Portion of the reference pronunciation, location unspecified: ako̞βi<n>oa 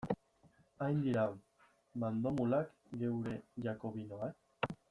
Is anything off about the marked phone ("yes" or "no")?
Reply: no